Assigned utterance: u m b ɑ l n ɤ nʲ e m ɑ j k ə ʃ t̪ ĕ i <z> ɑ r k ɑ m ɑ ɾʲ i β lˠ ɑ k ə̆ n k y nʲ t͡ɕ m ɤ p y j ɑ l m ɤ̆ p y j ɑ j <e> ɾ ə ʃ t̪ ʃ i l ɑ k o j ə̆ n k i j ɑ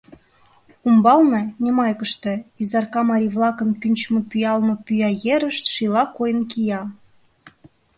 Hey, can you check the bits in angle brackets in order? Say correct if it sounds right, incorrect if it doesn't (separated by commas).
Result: correct, correct